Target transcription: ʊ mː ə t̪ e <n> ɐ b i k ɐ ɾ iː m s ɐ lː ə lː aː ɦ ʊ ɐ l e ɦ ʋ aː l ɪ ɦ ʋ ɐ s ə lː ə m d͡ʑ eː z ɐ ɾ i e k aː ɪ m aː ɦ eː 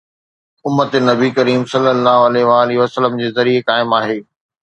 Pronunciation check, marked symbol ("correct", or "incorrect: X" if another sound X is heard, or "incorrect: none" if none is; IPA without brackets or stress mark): correct